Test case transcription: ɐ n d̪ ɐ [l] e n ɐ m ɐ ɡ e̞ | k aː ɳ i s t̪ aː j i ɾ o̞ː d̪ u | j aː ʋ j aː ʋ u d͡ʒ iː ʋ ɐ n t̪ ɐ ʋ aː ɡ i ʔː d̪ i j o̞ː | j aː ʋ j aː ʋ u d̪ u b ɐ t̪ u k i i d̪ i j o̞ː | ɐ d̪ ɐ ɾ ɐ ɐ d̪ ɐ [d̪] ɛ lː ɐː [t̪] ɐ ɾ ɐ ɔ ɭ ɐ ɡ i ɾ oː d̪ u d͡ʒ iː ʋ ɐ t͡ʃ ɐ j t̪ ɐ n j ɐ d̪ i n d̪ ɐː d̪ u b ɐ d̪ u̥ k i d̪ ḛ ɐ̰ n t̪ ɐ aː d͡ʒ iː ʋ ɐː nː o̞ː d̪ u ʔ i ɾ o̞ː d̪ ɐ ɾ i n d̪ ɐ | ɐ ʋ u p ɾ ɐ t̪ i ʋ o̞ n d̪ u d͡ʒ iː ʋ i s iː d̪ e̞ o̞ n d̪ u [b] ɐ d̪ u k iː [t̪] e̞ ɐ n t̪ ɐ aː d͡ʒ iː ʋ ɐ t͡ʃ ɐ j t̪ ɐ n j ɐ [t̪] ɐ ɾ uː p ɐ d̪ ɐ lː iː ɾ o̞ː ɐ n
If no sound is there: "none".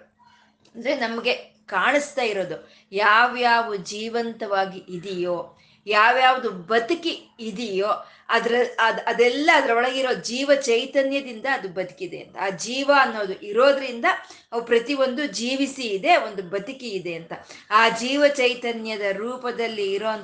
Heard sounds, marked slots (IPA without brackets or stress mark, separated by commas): ɾ, d̪, d̪, b, d̪, d̪